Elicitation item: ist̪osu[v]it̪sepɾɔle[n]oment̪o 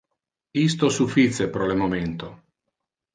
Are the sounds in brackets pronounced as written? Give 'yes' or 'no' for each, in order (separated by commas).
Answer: no, no